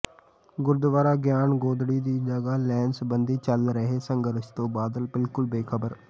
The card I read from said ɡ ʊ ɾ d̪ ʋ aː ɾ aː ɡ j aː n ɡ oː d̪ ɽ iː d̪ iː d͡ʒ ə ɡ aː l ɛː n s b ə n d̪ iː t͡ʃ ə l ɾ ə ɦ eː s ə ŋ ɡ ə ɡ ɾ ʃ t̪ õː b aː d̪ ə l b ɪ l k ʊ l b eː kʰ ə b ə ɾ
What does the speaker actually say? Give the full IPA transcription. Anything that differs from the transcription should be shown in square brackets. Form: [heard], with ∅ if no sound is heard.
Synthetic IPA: ɡ ʊ ɾ d̪ ʋ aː ɾ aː ɡ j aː n ɡ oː d̪ ɽ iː d̪ iː d͡ʒ ə ɡ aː l ɛː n s b ə n d̪ iː t͡ʃ ə l ɾ ə ɦ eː s ə ŋ ɡ ə [∅] ɾ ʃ t̪ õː b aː d̪ ə l b ɪ l k ʊ l b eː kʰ ə b ə ɾ

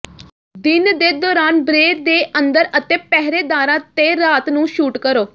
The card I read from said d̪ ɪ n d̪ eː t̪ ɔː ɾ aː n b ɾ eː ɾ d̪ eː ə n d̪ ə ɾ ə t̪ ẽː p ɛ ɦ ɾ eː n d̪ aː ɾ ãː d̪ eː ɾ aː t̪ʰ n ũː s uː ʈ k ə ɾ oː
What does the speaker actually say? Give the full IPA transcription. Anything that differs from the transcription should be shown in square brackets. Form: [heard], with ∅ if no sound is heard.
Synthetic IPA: d̪ ɪ n d̪ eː [d̪] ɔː ɾ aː n b ɾ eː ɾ d̪ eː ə n d̪ ə ɾ ə t̪ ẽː p ɛ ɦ ɾ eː [∅] d̪ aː ɾ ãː [t̪] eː ɾ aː [t̪] n ũː [ʃ] uː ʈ k ə ɾ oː

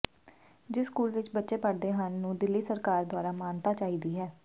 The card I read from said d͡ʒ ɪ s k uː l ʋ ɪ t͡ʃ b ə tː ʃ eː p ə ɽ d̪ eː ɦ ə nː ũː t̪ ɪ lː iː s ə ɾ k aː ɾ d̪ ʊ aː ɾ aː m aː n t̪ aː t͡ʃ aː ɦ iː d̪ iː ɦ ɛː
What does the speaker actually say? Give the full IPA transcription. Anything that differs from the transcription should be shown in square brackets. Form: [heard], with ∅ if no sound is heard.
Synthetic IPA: d͡ʒ ɪ s k uː l ʋ ɪ t͡ʃ b ə tː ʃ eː p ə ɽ d̪ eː ɦ ə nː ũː [d̪] ɪ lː iː s ə ɾ k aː ɾ d̪ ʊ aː ɾ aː m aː n t̪ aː t͡ʃ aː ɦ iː d̪ iː ɦ ɛː

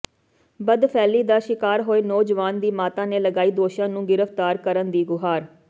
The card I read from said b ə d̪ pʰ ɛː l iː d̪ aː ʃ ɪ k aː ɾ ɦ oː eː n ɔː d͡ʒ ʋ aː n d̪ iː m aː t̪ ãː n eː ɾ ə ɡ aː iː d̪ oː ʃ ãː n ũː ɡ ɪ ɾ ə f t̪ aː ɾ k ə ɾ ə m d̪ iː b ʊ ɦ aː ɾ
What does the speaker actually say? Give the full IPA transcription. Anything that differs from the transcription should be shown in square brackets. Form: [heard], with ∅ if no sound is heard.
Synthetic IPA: b ə d̪ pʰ ɛː l iː d̪ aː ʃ ɪ k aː ɾ ɦ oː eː n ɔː d͡ʒ ʋ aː n d̪ iː m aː t̪ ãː n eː [l] ə ɡ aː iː d̪ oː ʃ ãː n ũː ɡ ɪ ɾ ə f t̪ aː ɾ k ə ɾ ə [n] d̪ iː [ɡ] ʊ ɦ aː ɾ

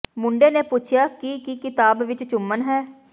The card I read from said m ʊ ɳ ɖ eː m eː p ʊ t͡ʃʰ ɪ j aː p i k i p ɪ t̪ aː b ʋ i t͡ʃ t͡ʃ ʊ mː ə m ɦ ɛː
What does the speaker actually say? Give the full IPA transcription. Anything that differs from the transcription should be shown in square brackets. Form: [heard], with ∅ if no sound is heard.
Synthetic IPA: m ʊ ɳ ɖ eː [n] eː p ʊ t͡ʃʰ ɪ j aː [k] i k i [k] ɪ t̪ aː b ʋ [ɪ] t͡ʃ t͡ʃ ʊ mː ə [n] ɦ ɛː

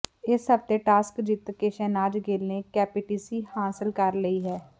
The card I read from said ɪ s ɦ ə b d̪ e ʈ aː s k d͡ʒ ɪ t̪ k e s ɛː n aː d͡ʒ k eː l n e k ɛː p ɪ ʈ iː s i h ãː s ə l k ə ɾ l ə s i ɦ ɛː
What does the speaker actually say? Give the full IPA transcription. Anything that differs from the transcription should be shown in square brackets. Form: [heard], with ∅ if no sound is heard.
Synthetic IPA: ɪ s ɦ ə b [t̪] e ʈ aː s k d͡ʒ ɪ t̪ k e [ʃ] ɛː n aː d͡ʒ [ɡ] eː l n e k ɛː p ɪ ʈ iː s i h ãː s ə l k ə ɾ l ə [∅] i ɦ ɛː

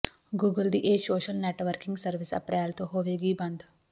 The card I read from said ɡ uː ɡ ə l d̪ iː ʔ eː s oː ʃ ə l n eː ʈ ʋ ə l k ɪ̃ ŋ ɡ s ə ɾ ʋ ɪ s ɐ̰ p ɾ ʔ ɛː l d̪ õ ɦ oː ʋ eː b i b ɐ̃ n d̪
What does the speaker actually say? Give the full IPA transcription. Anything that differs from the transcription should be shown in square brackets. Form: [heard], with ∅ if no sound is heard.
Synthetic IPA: ɡ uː ɡ ə l d̪ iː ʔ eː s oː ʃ ə l n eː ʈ ʋ ə [ɾ] k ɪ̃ ŋ ɡ s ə ɾ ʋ ɪ s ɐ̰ p ɾ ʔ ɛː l [t̪] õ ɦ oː ʋ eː [ɡ] i b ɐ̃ n d̪

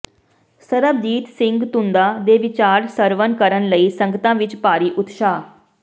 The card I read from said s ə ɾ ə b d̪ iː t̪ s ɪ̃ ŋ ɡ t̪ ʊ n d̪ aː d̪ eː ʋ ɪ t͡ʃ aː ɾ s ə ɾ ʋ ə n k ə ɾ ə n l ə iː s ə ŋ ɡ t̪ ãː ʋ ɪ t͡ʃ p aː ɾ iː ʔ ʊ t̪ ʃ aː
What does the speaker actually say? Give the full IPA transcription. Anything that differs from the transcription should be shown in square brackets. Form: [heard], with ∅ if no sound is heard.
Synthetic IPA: s ə ɾ ə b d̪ iː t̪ s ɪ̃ ŋ ɡ t̪ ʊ n d̪ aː d̪ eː ʋ ɪ t͡ʃ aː ɾ s ə ɾ ʋ ə n k ə ɾ ə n l ə iː s ə ŋ ɡ t̪ ãː ʋ ɪ t͡ʃ p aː ɾ iː ʔ ʊ t̪ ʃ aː

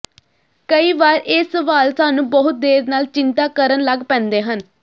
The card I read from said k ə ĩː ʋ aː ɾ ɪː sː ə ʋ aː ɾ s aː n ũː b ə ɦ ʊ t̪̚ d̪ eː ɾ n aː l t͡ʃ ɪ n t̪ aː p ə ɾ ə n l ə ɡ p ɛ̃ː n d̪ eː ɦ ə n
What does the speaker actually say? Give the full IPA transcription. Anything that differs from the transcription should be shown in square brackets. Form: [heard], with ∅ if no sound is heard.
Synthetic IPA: k ə [iː] ʋ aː ɾ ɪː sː ə ʋ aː [l] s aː n ũː b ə ɦ ʊ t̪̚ d̪ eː ɾ n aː l t͡ʃ ɪ n t̪ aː [k] ə ɾ ə n l ə ɡ p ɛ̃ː n d̪ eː ɦ ə n

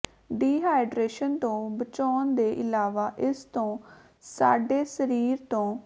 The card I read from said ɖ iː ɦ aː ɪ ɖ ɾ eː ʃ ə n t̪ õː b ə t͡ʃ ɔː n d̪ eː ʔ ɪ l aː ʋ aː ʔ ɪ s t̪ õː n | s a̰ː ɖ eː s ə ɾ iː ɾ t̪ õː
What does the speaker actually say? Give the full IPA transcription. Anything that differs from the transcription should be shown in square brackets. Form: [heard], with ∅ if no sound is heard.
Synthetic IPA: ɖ iː ɦ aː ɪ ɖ ɾ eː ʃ ə n t̪ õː b ə t͡ʃ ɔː n d̪ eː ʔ ɪ l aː ʋ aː ʔ ɪ s t̪ õː [∅] | s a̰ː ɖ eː s ə ɾ iː ɾ t̪ õː

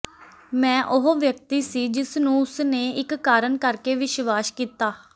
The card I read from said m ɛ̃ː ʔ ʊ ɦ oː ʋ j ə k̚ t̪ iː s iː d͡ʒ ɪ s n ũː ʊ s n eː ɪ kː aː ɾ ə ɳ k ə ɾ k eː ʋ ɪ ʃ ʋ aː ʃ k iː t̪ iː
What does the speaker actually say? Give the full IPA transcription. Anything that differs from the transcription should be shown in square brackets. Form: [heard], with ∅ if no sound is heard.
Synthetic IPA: m ɛ̃ː ʔ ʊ ɦ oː ʋ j ə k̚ t̪ iː s iː d͡ʒ ɪ s n ũː ʊ s n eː ɪ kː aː ɾ ə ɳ k ə ɾ k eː ʋ ɪ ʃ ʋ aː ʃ k iː t̪ [aː]

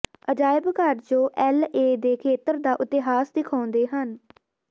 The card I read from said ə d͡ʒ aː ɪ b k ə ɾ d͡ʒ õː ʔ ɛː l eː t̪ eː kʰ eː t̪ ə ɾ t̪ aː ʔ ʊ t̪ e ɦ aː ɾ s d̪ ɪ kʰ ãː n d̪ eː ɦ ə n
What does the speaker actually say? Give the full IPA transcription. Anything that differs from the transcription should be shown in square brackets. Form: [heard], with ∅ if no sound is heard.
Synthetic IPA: ə d͡ʒ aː ɪ b k ə ɾ d͡ʒ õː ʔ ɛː l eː [d̪] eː kʰ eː t̪ ə ɾ [d̪] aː ʔ ʊ t̪ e ɦ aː [∅] s d̪ ɪ kʰ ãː n d̪ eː ɦ ə n

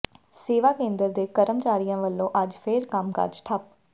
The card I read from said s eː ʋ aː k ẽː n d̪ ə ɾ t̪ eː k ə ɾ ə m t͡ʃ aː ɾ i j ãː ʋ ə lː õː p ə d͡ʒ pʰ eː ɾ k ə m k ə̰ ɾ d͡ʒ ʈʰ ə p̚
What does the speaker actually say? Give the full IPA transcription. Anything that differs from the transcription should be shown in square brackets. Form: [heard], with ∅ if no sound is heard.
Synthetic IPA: s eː ʋ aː k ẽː n d̪ ə ɾ [d̪] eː k ə ɾ ə m t͡ʃ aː ɾ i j ãː ʋ ə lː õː [ʔ] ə d͡ʒ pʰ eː ɾ k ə m k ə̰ ɾ d͡ʒ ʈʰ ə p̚

